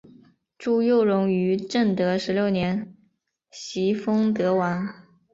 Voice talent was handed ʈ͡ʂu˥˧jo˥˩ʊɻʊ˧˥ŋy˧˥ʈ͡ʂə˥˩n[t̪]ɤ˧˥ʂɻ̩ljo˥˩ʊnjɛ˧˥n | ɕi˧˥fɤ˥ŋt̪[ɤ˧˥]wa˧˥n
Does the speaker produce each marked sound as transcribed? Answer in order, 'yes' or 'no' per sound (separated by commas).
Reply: yes, yes